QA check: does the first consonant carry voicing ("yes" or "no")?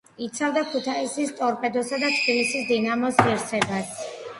no